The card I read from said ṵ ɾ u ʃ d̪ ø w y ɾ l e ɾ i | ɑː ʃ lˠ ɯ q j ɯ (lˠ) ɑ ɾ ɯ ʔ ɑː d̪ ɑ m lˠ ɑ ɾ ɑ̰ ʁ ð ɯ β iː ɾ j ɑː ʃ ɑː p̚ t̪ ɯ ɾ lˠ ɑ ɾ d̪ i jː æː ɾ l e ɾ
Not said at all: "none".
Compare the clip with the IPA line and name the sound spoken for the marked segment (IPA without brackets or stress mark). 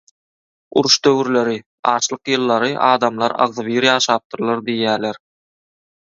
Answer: lˠː